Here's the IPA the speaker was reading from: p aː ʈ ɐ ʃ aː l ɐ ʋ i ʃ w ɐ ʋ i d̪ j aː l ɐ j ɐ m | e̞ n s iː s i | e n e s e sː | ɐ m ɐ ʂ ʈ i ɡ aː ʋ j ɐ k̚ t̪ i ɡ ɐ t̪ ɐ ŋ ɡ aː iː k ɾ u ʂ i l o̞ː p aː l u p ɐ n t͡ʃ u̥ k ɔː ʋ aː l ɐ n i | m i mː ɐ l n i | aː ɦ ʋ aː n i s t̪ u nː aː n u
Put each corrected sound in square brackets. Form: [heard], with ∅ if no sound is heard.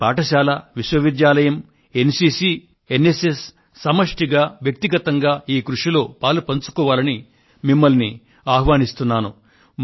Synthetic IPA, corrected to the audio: p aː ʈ ɐ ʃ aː l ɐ ʋ i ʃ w ɐ ʋ i d̪ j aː l ɐ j ɐ m | e̞ n s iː s i | e n e s e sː | ɐ m ɐ ʂ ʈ i ɡ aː ʋ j ɐ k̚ t̪ i ɡ ɐ t̪ ɐ ŋ ɡ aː iː k ɾ u ʂ i l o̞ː p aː l u p ɐ n t͡ʃ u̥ k ɔː ʋ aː l ɐ n i | m i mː ɐ l n i | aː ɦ ʋ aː n i s t̪ u nː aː n u